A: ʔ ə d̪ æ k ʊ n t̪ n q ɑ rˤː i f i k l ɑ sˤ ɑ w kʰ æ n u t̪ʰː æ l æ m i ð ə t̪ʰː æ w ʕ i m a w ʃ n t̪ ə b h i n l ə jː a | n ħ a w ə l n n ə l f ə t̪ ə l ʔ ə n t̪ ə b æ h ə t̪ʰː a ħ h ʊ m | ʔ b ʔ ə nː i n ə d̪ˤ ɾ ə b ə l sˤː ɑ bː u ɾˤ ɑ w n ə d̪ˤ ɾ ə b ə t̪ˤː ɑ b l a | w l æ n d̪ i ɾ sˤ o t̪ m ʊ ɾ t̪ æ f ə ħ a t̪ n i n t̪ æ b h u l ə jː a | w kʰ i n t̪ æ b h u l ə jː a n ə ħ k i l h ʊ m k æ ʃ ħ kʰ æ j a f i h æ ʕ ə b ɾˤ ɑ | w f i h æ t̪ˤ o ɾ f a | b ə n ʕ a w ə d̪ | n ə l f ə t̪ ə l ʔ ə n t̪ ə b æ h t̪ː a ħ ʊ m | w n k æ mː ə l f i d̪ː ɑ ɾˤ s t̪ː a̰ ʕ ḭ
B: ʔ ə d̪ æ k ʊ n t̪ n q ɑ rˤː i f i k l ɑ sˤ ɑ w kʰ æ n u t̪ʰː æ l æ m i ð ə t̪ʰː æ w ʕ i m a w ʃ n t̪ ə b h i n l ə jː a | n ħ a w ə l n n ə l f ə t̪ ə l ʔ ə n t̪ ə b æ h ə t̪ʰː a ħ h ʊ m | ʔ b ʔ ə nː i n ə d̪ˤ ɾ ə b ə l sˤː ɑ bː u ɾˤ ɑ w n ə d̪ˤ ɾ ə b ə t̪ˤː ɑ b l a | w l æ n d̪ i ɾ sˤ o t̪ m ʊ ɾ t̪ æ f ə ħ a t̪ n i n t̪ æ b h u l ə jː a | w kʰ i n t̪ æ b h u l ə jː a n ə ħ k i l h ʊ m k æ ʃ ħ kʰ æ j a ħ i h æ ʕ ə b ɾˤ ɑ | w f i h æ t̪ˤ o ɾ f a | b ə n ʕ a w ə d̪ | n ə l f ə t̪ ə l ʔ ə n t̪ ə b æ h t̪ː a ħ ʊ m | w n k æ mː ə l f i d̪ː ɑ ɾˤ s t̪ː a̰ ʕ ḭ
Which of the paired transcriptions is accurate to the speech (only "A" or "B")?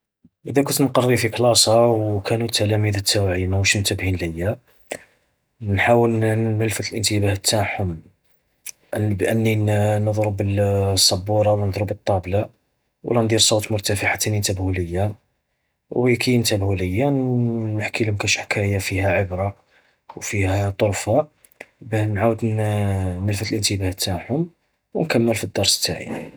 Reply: A